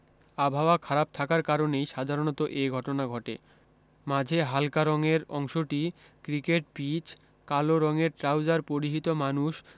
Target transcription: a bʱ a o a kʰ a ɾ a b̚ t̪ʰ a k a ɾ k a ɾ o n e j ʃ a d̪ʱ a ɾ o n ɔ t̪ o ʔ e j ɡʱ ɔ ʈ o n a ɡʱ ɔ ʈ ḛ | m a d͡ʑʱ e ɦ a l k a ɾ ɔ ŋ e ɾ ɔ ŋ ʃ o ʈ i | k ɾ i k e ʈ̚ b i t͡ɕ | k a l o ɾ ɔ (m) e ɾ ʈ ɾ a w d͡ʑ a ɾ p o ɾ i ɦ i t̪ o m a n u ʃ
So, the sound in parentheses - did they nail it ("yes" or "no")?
no